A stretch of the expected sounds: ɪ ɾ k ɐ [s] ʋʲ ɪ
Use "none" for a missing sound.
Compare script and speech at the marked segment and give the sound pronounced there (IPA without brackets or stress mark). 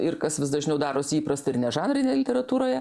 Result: s